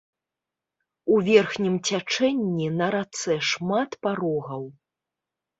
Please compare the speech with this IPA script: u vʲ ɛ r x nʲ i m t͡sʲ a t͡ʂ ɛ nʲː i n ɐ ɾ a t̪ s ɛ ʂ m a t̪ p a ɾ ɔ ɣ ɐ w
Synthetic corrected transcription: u vʲ ɛ r x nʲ i m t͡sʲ a t͡ʂ ɛ nʲː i n ɐ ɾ a t̪ s ɛ ʂ m a t̪ p a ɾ ɔ ɣ ɐ w